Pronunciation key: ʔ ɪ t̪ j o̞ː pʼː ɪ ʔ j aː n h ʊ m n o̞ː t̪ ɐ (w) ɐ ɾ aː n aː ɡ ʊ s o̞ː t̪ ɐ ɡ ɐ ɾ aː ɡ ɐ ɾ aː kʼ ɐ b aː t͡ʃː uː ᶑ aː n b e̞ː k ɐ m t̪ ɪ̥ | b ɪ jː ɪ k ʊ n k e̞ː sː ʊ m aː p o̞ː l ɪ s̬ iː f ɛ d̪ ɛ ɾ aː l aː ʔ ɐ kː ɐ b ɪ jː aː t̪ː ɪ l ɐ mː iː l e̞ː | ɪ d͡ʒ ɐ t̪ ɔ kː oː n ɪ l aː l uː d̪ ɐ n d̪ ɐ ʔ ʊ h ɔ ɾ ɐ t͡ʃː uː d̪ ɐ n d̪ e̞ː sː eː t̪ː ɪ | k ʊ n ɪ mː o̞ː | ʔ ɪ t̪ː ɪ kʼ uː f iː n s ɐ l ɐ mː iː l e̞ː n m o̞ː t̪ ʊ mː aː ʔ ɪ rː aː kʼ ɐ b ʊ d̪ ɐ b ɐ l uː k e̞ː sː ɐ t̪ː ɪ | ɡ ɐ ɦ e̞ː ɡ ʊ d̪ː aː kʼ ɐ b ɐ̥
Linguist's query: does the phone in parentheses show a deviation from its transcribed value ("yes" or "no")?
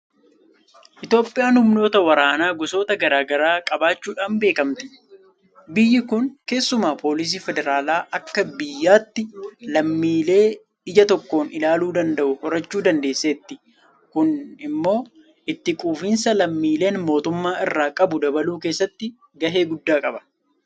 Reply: no